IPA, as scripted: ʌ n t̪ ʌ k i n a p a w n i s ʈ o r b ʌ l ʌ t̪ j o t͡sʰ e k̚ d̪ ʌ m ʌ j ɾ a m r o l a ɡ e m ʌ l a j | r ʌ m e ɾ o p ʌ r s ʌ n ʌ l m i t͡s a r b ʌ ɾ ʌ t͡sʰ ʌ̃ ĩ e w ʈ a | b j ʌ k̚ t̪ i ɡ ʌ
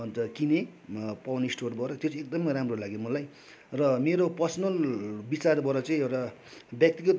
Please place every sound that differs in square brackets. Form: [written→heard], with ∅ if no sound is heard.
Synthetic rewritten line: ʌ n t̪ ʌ k i n [a→e] p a w n i s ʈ o r b ʌ [l→ɾ] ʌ t̪ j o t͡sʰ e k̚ d̪ ʌ m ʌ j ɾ a m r o l a ɡ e m ʌ l a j | r ʌ m e ɾ o p ʌ r s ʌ n ʌ l [m→b] i t͡s a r b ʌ ɾ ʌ [t͡sʰ→t͡s] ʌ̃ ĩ e w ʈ a | b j ʌ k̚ t̪ i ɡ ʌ